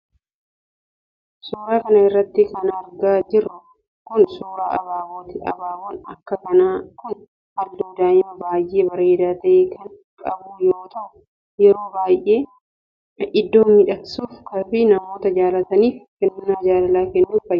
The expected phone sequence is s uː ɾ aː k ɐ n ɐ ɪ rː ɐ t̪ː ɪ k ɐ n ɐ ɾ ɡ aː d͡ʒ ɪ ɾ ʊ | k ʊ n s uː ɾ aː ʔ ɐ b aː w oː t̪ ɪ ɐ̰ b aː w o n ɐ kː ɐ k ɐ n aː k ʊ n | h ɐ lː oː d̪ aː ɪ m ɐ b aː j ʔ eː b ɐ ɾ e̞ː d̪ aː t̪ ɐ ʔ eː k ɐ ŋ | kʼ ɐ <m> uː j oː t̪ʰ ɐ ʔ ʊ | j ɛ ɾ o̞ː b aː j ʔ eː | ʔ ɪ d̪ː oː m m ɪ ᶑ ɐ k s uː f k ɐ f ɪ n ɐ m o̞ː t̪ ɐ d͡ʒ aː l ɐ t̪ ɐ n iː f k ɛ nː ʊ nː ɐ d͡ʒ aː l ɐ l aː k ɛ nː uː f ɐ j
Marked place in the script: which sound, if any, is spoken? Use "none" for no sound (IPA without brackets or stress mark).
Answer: b